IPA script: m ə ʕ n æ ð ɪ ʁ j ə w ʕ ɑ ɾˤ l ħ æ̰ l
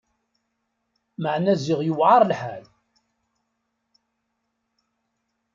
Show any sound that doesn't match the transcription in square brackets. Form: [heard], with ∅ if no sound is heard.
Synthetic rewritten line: m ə ʕ n æ [z] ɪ ʁ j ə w ʕ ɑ ɾˤ l ħ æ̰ l